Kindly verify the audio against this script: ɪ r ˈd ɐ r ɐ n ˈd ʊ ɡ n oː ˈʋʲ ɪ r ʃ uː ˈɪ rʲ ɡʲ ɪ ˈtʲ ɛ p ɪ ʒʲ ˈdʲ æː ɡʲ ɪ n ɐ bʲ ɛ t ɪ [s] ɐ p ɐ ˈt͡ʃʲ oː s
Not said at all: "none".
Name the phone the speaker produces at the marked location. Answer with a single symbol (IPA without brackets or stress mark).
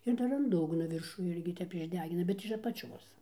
ʃ